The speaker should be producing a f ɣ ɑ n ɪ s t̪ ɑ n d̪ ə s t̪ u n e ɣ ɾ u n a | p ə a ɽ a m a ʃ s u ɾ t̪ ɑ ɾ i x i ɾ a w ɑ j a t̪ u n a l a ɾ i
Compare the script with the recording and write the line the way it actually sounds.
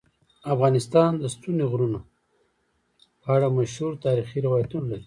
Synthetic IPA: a f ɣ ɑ n ɪ s t̪ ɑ n d̪ ə s t̪ u n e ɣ ɾ u n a | p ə a ɽ a m a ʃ h u ɾ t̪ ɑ ɾ i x i ɾ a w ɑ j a t̪ u n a l a ɾ i